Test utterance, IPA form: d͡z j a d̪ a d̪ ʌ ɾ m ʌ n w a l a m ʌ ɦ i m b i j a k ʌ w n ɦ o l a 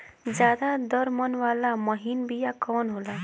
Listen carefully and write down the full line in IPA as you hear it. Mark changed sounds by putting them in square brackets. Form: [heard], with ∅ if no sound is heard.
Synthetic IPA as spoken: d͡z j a d̪ a d̪ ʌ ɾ m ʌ n w a l a m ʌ ɦ i [n] b i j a k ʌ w n ɦ o l a